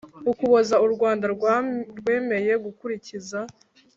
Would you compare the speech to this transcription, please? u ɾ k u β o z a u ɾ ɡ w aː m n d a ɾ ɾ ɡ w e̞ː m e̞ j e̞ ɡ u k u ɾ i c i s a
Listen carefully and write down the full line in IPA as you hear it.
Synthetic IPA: u k u β o z a u ɾ ɡ w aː n d a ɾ ɾ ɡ w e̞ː m e̞ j e̞ ɡ u k u ɾ i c i z a